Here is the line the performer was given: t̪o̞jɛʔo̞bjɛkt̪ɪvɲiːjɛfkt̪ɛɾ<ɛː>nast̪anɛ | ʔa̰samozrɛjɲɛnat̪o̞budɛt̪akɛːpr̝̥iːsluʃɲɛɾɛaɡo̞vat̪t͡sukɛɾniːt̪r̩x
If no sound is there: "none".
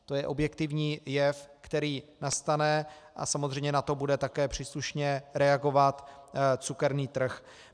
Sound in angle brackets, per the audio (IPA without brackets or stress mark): iː